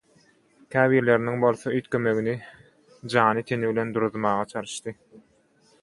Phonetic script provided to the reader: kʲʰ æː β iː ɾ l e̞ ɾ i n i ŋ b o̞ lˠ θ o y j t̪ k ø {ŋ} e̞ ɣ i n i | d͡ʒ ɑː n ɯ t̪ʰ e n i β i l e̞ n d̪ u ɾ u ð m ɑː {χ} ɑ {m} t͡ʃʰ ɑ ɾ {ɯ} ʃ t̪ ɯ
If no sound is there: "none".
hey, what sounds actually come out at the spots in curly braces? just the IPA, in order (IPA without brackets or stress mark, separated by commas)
m, ʁ, none, ɯ